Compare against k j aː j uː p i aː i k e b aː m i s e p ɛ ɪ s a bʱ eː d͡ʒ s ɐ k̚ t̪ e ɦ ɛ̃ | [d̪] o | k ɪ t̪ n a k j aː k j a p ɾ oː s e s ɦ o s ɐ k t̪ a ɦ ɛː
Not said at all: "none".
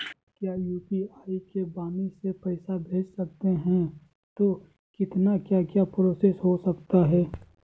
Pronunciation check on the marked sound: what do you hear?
t̪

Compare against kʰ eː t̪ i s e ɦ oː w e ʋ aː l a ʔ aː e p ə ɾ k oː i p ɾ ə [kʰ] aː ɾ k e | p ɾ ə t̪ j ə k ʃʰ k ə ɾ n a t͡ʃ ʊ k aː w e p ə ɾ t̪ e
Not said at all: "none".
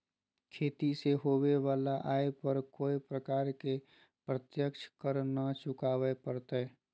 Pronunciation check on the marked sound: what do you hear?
k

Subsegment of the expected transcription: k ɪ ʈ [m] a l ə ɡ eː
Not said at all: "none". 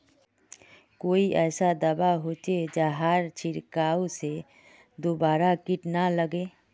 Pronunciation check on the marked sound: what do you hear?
n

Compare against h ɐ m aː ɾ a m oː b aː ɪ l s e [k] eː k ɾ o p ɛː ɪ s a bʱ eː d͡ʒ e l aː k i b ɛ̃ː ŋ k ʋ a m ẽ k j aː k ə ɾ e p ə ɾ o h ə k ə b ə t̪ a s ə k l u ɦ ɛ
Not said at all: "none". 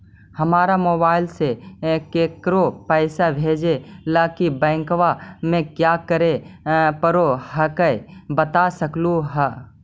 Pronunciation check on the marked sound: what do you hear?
k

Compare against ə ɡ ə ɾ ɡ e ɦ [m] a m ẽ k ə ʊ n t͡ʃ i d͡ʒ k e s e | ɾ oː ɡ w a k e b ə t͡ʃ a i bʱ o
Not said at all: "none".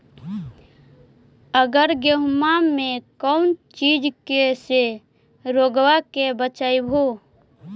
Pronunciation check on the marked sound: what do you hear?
m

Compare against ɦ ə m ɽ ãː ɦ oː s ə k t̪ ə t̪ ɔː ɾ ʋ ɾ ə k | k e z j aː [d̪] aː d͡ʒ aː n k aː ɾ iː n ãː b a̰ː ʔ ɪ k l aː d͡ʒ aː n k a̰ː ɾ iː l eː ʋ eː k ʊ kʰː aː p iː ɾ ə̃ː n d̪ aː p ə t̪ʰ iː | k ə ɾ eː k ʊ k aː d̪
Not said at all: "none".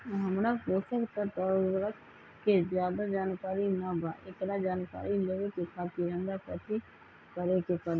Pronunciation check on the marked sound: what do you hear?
d̪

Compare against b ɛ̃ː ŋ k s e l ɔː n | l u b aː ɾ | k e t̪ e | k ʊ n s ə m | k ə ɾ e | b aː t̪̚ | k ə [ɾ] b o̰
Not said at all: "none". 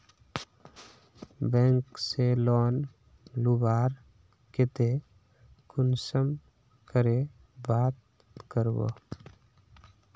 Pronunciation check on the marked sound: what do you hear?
ɾ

